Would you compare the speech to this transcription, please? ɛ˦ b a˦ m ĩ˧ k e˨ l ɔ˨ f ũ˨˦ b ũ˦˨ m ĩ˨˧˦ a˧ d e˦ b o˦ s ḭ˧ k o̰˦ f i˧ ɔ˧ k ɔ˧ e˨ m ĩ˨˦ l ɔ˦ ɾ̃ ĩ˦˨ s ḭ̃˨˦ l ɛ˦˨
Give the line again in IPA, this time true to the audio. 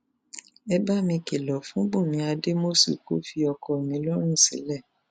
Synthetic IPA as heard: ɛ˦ b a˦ m ĩ˧ k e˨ l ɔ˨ f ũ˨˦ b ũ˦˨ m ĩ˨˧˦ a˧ d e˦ m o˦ s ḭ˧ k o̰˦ f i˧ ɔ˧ k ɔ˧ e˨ m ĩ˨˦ l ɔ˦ ɾ̃ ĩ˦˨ s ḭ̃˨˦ l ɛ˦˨